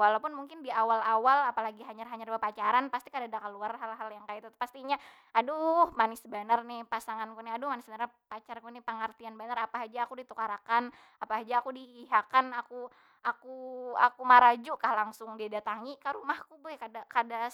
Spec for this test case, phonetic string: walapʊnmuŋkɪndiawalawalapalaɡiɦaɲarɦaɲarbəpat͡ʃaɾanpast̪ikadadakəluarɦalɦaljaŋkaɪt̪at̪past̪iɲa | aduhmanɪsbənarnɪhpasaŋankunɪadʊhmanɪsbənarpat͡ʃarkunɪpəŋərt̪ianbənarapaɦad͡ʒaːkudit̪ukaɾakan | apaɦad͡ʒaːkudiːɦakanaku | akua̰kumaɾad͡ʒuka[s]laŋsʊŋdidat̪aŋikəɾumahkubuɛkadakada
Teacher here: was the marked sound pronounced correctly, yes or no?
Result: no